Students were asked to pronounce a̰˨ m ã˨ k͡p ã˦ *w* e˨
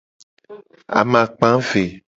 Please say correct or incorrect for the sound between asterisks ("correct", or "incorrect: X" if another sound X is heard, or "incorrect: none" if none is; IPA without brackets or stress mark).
incorrect: v